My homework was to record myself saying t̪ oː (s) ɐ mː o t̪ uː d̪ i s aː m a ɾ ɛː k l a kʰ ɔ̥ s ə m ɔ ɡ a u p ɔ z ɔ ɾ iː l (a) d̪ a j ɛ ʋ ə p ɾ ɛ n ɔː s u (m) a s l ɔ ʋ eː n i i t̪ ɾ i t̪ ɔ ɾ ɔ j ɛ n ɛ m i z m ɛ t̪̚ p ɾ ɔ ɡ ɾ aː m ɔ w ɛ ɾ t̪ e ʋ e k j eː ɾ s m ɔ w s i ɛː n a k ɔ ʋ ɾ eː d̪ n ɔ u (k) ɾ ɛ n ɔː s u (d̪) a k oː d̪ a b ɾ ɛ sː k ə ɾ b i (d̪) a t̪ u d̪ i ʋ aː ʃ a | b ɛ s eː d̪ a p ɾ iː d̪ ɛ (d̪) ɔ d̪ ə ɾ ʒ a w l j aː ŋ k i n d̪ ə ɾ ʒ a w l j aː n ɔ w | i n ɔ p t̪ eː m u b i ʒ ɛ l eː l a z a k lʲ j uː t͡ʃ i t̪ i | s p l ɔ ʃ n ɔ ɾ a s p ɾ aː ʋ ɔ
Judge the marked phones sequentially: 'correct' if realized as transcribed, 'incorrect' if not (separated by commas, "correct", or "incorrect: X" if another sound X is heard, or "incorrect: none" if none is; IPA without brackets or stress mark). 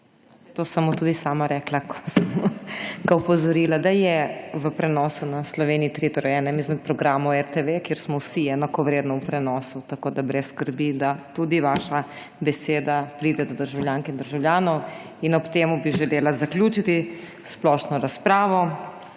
correct, correct, incorrect: n, incorrect: p, incorrect: t̪, correct, correct